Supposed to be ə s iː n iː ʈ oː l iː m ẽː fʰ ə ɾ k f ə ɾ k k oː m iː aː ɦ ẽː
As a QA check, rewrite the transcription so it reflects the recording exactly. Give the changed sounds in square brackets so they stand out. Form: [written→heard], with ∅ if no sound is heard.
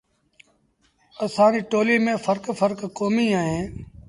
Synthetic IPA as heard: ə s [iː→aː] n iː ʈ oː l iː m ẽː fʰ ə ɾ k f ə ɾ k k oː m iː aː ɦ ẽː